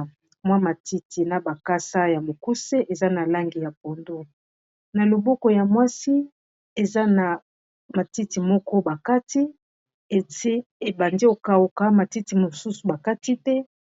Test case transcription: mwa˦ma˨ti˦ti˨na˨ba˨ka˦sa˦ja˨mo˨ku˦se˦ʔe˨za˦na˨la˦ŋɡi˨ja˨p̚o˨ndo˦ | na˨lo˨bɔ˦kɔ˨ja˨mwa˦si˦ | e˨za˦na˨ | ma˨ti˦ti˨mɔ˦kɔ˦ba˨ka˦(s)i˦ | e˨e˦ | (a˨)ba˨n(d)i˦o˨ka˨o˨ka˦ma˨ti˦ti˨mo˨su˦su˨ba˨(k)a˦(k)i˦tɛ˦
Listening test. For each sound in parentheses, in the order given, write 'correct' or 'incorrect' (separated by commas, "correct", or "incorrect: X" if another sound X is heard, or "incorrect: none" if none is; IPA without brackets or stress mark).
incorrect: t, incorrect: e˨, correct, correct, incorrect: t